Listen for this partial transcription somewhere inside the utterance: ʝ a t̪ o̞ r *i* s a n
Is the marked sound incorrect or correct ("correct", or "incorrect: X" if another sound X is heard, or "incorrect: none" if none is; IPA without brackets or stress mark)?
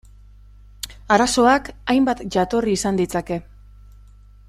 incorrect: iː